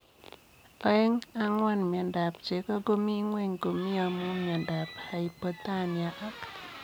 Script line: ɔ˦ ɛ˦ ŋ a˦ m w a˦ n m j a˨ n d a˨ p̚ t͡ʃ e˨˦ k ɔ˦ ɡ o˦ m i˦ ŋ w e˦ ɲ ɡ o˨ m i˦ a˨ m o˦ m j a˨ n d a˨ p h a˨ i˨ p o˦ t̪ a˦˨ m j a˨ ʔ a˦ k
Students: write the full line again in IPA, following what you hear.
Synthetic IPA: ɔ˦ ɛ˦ ŋ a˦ ŋ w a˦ n m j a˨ n d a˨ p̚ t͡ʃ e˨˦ k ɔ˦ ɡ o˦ m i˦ ŋ w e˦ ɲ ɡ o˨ m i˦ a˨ m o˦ m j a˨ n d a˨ p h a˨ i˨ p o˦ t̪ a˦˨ n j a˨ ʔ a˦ k